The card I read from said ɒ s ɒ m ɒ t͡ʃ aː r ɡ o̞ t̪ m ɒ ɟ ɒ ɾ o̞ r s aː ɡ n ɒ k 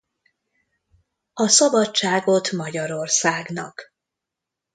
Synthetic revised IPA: ɒ s ɒ b ɒ t͡ʃ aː ɡ o̞ t̪ m ɒ ɟ ɒ ɾ o̞ r s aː ɡ n ɒ k